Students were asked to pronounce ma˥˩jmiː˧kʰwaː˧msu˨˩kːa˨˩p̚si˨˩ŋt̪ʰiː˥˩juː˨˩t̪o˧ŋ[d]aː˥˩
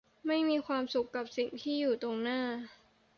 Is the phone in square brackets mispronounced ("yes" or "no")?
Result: yes